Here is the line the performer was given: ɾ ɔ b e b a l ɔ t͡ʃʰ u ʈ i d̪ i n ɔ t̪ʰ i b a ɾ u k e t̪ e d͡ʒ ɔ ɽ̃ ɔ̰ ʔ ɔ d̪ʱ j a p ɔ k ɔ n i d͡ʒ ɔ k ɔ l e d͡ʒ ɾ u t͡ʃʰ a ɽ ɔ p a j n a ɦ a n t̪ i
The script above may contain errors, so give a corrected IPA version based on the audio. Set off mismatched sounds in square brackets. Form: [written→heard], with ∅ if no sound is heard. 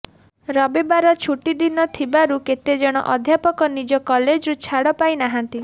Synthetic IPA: ɾ ɔ b e b a [l→ɾ] ɔ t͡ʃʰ u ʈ i d̪ i n ɔ t̪ʰ i b a ɾ u k e t̪ e d͡ʒ ɔ ɽ̃ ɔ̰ ʔ ɔ d̪ʱ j a p ɔ k ɔ n i d͡ʒ ɔ k ɔ l e d͡ʒ ɾ u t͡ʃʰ a ɽ ɔ p a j n a ɦ a n t̪ i